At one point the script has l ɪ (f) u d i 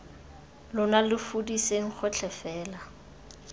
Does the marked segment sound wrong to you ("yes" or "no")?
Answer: no